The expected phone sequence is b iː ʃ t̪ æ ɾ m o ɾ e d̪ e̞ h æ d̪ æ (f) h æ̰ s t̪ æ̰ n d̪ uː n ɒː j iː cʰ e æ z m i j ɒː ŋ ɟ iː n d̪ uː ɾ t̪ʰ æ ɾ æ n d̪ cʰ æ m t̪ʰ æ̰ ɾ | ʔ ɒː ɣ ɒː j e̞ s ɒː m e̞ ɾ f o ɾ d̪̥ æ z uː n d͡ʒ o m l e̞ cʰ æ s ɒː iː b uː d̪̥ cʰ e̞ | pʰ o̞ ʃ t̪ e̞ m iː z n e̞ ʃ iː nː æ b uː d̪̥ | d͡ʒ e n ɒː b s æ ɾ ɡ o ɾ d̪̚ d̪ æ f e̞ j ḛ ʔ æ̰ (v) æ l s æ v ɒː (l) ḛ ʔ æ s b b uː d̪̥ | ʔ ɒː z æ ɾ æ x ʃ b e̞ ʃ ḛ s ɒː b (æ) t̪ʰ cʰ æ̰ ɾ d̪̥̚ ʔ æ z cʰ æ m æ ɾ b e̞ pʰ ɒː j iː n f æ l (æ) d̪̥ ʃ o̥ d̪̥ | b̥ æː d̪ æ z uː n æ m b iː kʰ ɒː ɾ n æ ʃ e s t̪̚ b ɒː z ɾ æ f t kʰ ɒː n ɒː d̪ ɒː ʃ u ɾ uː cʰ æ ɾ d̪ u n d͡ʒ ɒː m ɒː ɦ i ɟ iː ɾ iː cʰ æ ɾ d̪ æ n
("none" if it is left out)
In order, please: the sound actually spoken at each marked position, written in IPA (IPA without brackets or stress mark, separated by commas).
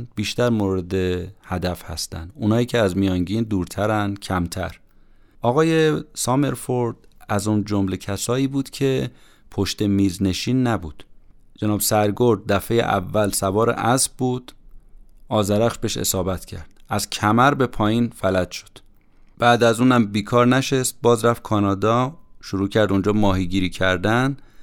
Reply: f, vː, ɾ, æ, æ